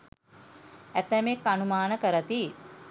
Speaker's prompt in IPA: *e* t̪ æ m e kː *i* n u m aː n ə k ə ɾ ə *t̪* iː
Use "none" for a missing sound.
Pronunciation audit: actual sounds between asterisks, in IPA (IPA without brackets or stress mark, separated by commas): æ, a, t̪